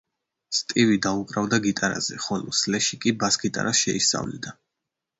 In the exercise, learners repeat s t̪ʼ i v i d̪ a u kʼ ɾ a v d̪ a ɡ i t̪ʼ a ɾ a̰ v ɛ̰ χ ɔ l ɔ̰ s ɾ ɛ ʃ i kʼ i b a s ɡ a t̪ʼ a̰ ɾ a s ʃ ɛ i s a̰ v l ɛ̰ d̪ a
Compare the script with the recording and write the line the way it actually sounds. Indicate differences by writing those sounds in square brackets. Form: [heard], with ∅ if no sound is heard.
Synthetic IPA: s t̪ʼ i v i d̪ a u kʼ ɾ a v d̪ a ɡ i t̪ʼ a ɾ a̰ [z] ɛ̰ χ ɔ l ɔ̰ s [l] ɛ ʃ i kʼ i b a s ɡ [i] t̪ʼ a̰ ɾ a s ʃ ɛ i s a̰ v l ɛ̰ d̪ a